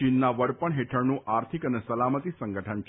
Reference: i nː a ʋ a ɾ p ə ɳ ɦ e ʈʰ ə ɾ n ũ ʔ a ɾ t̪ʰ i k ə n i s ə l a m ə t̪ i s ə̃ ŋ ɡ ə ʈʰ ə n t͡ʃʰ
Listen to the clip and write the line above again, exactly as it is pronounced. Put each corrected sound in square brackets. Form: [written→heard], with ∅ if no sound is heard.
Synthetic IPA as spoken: i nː a ʋ [a→ə] ɾ p ə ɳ ɦ e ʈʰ ə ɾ n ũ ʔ a ɾ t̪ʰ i k ə n [i→e] s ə l a m ə t̪ i s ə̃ ŋ ɡ ə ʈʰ ə n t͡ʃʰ

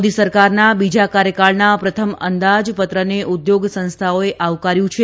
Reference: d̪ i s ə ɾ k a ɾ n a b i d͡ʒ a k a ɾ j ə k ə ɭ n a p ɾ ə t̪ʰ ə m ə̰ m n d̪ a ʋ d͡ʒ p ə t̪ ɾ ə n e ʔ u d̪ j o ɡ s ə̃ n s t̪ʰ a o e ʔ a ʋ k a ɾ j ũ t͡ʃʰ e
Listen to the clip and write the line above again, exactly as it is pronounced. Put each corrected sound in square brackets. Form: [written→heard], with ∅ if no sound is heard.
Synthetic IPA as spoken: d̪ i s ə ɾ k a ɾ n a b i d͡ʒ a k a ɾ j ə k [ə→a] ɭ n a p ɾ ə t̪ʰ ə m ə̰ [m→∅] n d̪ a [ʋ→∅] d͡ʒ p ə t̪ ɾ ə n e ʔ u d̪ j o ɡ s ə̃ n s t̪ʰ a o e ʔ a ʋ k a ɾ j ũ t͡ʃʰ e

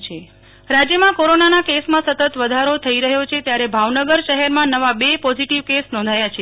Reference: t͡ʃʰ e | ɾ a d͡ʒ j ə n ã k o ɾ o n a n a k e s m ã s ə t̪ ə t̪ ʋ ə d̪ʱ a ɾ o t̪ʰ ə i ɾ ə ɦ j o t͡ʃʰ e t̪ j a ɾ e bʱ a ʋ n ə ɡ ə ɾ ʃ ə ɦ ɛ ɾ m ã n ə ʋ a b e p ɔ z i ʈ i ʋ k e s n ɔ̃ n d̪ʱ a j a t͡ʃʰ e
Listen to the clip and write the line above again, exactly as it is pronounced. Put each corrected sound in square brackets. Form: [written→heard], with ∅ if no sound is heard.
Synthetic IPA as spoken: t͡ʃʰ e | ɾ a d͡ʒ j ə [n→m] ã k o ɾ o n a n a k e s m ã s ə t̪ ə t̪ ʋ ə d̪ʱ a ɾ o t̪ʰ ə i ɾ ə ɦ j o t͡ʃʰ e t̪ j a ɾ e bʱ a ʋ n ə ɡ ə ɾ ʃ ə ɦ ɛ ɾ m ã n ə ʋ a b e p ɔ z i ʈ i ʋ k e s n ɔ̃ n d̪ʱ a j a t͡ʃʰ e

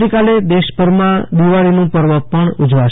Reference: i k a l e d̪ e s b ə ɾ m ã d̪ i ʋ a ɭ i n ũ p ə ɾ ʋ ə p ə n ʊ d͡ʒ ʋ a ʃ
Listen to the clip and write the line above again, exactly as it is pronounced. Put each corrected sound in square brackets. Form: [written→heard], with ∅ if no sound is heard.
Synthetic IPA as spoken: i k a l e d̪ e [s→ʃ] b ə ɾ m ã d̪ i ʋ a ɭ i n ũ p ə ɾ ʋ ə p ə [n→ɳ] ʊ d͡ʒ ʋ a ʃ

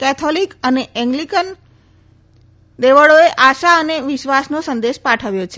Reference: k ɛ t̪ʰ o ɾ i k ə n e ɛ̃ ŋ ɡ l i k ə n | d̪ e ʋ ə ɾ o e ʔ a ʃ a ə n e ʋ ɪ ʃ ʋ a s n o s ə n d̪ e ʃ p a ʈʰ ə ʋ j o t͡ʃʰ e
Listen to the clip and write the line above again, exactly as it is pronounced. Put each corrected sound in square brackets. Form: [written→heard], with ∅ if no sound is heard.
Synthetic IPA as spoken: k ɛ t̪ʰ o [ɾ→l] i k ə n e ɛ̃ ŋ ɡ l i k ə n | d̪ e ʋ ə [ɾ→ɭ] o e ʔ a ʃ a ə n e ʋ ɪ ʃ ʋ a s n o s ə n d̪ e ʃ p a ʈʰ ə ʋ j o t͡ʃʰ e

